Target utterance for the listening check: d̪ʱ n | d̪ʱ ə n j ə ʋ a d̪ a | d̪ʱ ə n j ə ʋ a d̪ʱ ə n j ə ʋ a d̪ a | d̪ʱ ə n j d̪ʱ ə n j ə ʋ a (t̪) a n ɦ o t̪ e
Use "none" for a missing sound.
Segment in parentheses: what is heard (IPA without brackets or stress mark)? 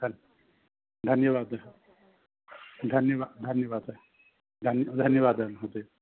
d̪